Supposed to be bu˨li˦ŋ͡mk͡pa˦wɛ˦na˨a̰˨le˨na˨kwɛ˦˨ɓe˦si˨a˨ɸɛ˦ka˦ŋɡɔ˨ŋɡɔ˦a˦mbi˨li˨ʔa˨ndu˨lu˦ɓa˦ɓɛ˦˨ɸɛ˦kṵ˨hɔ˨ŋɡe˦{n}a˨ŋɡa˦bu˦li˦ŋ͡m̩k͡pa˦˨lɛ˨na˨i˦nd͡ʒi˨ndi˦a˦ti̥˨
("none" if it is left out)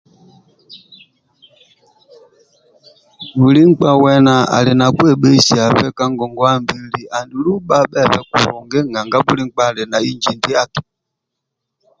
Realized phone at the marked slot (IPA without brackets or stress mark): ŋ